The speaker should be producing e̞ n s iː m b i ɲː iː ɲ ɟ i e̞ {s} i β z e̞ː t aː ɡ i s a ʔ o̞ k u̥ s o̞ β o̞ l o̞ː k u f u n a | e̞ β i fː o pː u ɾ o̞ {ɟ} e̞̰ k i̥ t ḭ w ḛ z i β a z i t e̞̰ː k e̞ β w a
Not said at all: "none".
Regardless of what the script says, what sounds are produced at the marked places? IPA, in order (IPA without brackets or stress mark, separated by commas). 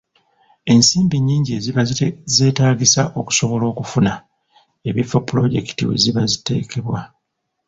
z, ɟ